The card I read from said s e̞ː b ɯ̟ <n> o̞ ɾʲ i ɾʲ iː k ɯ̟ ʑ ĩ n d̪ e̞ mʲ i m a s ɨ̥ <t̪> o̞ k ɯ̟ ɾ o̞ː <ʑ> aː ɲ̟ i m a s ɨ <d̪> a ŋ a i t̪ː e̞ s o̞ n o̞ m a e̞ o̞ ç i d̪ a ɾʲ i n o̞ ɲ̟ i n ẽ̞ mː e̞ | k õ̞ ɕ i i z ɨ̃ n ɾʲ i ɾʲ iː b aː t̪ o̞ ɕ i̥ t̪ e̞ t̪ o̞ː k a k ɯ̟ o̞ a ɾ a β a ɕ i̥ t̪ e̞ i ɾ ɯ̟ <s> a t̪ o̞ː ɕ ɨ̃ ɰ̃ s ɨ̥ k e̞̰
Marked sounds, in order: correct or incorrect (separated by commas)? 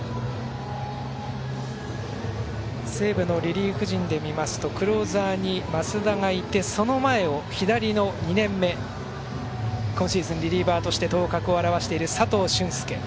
correct, correct, incorrect, correct, correct